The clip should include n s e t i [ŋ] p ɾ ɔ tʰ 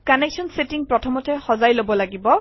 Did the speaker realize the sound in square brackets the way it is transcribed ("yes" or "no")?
yes